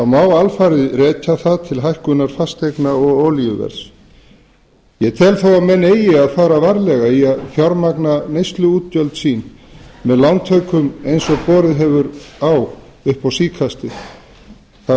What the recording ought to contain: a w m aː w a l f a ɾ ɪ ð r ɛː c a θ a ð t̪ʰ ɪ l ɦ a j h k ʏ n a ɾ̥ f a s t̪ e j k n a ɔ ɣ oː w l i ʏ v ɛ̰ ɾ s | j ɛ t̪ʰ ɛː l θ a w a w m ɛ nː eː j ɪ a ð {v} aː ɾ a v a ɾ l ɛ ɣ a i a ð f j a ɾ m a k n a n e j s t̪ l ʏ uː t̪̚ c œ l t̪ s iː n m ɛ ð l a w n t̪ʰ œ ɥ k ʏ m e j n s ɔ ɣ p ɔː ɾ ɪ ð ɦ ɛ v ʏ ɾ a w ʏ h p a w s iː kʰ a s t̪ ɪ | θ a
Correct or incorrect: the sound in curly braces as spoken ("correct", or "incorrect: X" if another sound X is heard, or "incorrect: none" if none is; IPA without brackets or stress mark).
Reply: incorrect: f